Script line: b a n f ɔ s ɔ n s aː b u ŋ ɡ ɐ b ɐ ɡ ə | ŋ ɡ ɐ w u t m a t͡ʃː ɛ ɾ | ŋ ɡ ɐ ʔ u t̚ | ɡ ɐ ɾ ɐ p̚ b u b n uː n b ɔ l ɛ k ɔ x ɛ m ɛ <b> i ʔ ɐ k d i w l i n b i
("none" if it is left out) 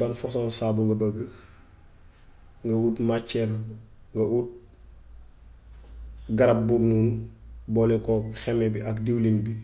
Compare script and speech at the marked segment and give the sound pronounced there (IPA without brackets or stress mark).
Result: b